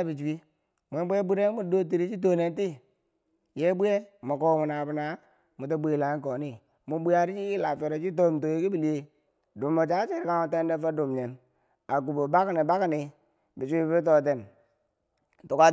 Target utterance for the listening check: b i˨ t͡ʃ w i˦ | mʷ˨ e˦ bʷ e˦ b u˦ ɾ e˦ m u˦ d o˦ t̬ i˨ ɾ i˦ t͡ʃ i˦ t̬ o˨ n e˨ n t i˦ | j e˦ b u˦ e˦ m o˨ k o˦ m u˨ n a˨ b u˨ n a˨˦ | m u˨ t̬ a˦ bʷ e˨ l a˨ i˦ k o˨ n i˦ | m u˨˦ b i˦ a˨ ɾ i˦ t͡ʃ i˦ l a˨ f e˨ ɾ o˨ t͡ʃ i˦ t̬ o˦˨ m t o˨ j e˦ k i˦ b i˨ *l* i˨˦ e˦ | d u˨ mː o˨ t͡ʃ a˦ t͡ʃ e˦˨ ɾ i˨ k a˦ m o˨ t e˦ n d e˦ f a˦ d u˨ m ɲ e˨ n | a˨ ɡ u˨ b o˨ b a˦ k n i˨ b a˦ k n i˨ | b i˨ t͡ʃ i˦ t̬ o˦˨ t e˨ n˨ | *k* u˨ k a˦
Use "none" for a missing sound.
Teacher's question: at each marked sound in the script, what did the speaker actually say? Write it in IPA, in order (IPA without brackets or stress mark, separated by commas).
l, t